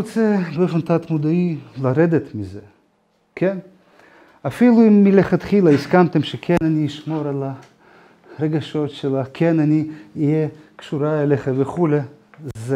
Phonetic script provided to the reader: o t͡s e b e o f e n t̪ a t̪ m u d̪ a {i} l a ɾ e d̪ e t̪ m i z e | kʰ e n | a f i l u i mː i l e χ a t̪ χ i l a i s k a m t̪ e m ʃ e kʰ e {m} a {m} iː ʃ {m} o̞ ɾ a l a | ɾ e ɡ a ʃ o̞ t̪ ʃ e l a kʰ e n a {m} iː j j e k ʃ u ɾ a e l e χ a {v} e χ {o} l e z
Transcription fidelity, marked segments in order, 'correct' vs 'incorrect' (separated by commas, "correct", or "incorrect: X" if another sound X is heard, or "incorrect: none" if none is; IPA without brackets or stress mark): correct, incorrect: n, incorrect: n, correct, incorrect: n, correct, incorrect: u